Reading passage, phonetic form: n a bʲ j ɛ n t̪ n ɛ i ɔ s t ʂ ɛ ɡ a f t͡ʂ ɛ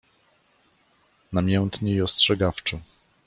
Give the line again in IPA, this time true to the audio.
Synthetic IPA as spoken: n a mʲ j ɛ n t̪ ɲ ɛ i ɔ s t ʂ ɛ ɡ a f t͡ʂ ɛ